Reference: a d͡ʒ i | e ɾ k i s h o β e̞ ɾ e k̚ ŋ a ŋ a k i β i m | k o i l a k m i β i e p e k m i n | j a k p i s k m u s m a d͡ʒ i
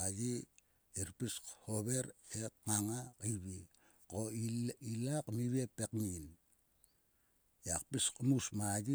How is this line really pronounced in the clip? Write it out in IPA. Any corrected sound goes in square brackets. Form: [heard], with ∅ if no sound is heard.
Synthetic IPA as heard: a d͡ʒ i | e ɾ [p] i s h o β e̞ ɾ e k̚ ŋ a ŋ a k i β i [∅] | k o i l a k m i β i e p e k m i n | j a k p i s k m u s m a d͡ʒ i